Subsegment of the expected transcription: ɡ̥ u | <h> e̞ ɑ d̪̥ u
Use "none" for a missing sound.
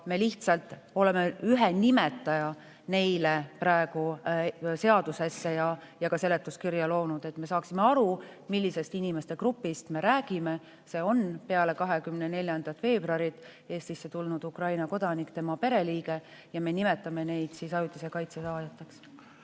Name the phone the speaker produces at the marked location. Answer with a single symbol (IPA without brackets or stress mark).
s